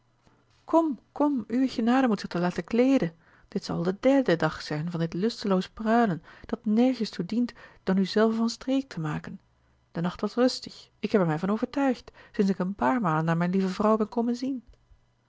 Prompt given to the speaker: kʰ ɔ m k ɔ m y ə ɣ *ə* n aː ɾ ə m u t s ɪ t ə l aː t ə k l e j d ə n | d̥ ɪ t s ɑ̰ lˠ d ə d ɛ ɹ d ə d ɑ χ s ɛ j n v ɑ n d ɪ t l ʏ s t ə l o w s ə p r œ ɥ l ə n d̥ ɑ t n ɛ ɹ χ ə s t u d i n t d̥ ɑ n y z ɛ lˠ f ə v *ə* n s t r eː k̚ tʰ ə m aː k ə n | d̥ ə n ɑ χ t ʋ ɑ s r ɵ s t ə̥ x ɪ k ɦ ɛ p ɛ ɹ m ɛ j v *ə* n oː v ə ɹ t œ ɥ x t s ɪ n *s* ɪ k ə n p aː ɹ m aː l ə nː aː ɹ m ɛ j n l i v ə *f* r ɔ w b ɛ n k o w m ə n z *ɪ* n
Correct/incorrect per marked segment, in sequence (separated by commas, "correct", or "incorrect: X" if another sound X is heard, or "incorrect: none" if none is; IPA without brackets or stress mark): correct, incorrect: ɑ, incorrect: ɑ, correct, incorrect: v, incorrect: i